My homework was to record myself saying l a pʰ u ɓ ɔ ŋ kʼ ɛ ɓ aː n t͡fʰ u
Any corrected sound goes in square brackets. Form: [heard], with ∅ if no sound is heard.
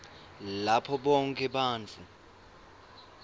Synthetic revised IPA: l a pʰ [ɔ] ɓ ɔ ŋ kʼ ɛ ɓ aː n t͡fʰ u

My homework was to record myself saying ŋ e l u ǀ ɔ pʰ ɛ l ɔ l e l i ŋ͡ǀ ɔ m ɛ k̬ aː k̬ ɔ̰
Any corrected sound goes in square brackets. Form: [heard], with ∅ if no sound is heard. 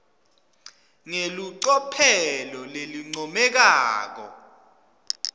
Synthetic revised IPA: ŋ e l u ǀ ɔ pʰ ɛ l ɔ l e l i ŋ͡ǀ ɔ m ɛ k̬ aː k̬ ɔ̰

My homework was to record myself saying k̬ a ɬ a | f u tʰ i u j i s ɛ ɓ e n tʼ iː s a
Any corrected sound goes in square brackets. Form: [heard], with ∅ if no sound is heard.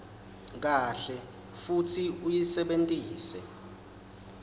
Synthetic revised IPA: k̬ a ɬ [ɛ] | f u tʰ i u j i s ɛ ɓ e n tʼ iː s [ɛ]

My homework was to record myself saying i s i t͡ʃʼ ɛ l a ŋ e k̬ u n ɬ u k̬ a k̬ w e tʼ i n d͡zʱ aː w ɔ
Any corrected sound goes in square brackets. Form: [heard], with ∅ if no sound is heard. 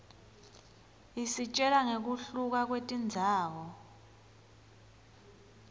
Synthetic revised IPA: i s i t͡ʃʼ ɛ l a ŋ e k̬ u [∅] ɬ u k̬ a k̬ w e tʼ i n d͡zʱ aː w ɔ

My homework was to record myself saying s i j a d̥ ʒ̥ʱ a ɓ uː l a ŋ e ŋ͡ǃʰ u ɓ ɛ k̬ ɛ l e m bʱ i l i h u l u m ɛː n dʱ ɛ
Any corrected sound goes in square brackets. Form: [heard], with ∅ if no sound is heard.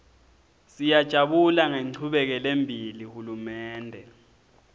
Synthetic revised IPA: s i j a d̥ ʒ̥ʱ a ɓ [u] l a ŋ e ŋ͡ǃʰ u ɓ ɛ k̬ ɛ l e m bʱ i l i h u l u m ɛː n dʱ ɛ

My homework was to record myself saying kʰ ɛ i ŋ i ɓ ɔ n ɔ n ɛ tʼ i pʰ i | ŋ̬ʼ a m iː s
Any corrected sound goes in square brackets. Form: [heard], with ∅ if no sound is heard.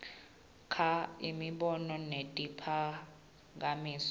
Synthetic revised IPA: kʰ [a] i [m] i ɓ ɔ n ɔ n [e] tʼ i pʰ [a] | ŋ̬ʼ a m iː s

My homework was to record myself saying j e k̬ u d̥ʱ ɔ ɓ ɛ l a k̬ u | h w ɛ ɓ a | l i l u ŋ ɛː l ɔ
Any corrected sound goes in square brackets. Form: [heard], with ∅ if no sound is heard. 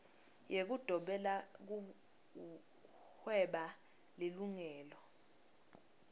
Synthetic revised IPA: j e k̬ u d̥ʱ ɔ ɓ ɛ l a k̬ u | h w ɛ ɓ a | l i l u ŋ ɛː l ɔ

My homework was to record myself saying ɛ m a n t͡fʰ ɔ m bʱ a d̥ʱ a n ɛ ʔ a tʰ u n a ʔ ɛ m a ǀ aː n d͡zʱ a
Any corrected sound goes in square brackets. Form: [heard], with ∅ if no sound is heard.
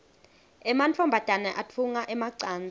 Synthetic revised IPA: ɛ m a n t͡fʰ ɔ m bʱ a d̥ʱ a n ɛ ʔ a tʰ u [ŋ] a ʔ ɛ m a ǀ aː n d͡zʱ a

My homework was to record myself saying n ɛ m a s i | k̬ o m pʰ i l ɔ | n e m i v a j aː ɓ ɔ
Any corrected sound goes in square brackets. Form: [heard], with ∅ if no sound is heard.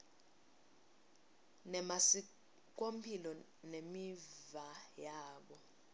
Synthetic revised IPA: n ɛ m a s i | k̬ o m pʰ i l ɔ | n e m i v a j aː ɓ ɔ

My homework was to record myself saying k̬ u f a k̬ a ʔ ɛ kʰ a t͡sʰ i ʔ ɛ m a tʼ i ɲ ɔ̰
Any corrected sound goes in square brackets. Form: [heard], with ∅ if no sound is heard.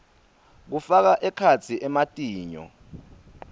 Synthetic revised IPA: k̬ u f a k̬ a ʔ ɛ kʰ a t͡sʰ i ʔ ɛ m a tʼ [iː] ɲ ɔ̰

